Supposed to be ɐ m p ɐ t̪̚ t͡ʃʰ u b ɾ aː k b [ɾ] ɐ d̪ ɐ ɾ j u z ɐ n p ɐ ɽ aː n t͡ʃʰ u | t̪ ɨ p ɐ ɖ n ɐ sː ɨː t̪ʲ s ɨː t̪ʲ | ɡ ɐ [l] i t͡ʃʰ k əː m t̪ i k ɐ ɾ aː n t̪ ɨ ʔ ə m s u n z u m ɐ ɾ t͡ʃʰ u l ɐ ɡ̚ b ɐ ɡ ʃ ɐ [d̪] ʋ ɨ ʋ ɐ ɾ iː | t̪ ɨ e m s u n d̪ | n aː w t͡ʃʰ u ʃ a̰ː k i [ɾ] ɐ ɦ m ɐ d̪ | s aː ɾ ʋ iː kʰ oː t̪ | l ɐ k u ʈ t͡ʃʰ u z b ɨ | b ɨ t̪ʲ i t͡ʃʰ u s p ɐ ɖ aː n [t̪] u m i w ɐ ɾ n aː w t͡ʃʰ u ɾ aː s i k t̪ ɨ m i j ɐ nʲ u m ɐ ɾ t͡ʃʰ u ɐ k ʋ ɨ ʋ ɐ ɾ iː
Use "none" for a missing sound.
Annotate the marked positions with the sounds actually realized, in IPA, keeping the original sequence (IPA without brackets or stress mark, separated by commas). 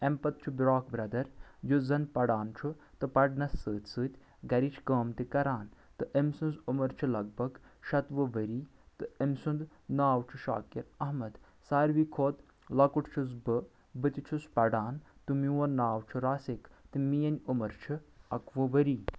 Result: ɾ, ɾ, t̪, ɾ, t̪